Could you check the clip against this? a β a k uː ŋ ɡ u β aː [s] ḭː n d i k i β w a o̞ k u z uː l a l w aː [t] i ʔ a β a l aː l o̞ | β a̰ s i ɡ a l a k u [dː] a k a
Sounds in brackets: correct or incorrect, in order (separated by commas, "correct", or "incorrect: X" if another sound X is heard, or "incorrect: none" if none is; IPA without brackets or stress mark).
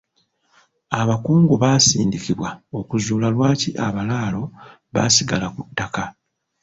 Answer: correct, incorrect: c, incorrect: tː